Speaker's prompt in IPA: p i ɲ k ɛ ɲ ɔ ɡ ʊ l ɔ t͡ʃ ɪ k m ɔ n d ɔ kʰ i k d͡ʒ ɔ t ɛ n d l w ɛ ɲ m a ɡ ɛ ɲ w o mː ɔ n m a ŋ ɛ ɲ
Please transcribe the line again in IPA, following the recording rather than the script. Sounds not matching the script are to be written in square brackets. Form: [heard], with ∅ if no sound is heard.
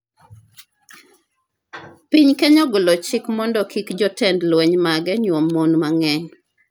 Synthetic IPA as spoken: p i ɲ k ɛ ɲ ɔ ɡ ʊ l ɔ t͡ʃ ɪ k m ɔ n d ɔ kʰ i k d͡ʒ ɔ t ɛ n d l w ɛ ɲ m a ɡ ɛ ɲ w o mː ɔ n m a ŋ ɛ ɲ